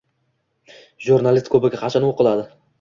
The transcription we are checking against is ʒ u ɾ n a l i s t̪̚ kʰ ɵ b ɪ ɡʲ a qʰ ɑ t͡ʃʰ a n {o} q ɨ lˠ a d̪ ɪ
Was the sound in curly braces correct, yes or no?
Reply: yes